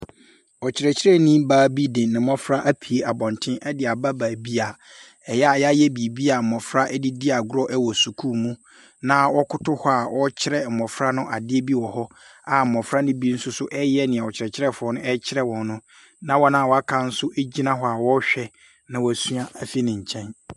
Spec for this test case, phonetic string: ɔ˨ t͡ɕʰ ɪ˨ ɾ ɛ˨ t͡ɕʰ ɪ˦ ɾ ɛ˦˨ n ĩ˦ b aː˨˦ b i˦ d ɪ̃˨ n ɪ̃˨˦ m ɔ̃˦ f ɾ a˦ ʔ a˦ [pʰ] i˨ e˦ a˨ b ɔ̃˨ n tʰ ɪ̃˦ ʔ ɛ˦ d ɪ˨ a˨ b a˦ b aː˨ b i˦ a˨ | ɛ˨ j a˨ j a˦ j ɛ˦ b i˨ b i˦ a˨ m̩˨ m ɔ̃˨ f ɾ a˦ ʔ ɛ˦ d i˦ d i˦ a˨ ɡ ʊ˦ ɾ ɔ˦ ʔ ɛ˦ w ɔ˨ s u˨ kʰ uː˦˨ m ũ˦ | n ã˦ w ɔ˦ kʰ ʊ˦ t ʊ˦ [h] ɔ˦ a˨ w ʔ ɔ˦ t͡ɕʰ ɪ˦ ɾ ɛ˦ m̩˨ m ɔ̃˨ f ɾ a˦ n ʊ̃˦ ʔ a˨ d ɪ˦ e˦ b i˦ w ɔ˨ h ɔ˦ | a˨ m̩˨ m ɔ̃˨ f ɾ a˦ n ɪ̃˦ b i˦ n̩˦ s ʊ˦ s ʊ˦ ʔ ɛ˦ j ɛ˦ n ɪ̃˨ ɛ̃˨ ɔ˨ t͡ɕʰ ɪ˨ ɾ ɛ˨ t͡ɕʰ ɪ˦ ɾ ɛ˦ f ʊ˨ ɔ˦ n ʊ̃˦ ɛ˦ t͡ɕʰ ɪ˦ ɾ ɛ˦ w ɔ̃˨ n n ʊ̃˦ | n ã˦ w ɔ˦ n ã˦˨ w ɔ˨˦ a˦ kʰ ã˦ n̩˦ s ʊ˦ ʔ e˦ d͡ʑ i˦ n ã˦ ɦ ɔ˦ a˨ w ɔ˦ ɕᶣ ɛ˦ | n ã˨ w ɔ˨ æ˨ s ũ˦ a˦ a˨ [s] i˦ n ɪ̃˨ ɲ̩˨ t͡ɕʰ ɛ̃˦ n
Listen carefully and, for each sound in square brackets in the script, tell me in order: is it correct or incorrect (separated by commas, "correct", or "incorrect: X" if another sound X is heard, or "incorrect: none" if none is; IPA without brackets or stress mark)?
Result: correct, correct, incorrect: f